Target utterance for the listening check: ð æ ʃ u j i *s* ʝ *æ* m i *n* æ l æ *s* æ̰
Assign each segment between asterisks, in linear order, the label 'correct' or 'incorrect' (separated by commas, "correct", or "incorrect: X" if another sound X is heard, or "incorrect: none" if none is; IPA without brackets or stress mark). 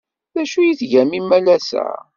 incorrect: θ, correct, incorrect: m, correct